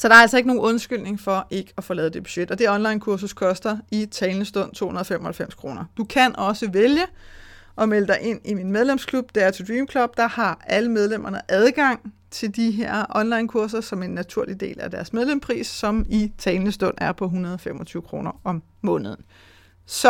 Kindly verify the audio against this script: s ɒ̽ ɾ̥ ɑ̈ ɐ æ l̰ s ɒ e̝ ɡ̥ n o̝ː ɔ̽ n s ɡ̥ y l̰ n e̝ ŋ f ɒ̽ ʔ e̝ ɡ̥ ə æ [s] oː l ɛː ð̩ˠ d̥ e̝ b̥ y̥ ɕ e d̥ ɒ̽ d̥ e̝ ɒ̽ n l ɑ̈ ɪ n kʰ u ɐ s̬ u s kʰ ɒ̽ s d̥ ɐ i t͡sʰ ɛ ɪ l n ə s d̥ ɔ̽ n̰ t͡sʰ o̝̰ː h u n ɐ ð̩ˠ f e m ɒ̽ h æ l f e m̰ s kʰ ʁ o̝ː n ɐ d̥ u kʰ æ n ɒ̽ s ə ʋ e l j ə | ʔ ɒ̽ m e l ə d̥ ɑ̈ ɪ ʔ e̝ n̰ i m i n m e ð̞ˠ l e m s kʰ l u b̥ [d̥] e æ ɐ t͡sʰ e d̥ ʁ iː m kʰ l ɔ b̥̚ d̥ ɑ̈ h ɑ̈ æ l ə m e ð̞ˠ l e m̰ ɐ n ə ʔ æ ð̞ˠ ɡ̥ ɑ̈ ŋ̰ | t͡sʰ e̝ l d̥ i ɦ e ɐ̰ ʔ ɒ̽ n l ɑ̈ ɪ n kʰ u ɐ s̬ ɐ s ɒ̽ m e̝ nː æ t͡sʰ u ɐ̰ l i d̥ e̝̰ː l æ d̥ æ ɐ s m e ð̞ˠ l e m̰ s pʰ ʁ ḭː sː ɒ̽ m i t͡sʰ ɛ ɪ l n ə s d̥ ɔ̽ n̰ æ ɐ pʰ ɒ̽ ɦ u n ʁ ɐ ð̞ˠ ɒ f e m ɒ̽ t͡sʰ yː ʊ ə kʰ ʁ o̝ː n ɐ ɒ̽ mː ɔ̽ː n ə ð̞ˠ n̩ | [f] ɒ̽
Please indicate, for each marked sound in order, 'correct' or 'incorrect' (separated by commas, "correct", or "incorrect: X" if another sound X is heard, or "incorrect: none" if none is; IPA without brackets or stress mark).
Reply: incorrect: f, correct, incorrect: s